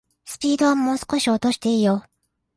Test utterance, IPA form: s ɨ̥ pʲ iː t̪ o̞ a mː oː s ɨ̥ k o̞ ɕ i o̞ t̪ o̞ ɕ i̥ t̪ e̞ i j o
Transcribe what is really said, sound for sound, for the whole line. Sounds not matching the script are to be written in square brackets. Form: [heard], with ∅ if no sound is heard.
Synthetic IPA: s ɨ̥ pʲ iː [d̪] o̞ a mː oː s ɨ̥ k o̞ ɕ i o̞ t̪ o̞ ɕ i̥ t̪ e̞ i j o

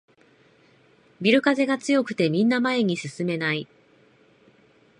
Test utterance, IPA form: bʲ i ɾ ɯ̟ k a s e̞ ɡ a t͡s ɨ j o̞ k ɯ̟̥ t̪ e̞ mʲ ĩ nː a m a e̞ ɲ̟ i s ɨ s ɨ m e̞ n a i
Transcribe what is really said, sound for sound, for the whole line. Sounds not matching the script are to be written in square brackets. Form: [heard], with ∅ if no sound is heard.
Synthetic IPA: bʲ i ɾ ɯ̟ k a [z] e̞ ɡ a t͡s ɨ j o̞ k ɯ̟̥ t̪ e̞ mʲ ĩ nː a m a e̞ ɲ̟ i s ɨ s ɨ m e̞ n a i

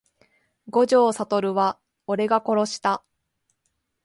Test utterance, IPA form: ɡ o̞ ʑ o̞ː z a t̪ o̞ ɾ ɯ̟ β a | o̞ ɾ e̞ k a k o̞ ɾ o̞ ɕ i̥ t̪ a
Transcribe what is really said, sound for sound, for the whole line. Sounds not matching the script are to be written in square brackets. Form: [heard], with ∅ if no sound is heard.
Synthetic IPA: ɡ o̞ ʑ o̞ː [s] a t̪ o̞ ɾ ɯ̟ β a | o̞ ɾ e̞ [ɡ] a k o̞ ɾ o̞ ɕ i̥ t̪ a

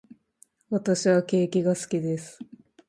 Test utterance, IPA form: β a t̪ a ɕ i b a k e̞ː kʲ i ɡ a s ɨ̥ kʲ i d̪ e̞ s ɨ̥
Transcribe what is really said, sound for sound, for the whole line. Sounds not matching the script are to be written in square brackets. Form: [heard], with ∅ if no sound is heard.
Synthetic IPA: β a t̪ a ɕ i [β] a k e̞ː kʲ i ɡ a s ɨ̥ kʲ i d̪ e̞ s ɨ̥

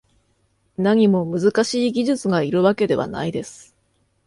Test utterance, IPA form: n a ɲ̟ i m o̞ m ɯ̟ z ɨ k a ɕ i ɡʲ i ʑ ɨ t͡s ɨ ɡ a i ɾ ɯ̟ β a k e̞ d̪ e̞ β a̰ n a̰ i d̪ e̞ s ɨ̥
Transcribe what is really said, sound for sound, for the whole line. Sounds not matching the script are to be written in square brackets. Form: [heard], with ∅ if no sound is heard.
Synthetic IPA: n a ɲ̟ i m o̞ m ɯ̟ z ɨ k a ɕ [iː] ɡʲ i ʑ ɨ t͡s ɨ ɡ a i ɾ ɯ̟ β a k e̞ d̪ e̞ β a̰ n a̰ i d̪ e̞ s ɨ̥

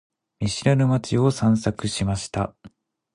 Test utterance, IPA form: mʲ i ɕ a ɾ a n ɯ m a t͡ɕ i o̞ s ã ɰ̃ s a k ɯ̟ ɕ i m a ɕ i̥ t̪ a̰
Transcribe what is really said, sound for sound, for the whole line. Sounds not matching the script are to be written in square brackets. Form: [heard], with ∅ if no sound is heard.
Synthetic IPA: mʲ i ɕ [i] ɾ a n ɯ m a t͡ɕ i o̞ s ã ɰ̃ s a k ɯ̟ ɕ i m a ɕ i̥ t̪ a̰

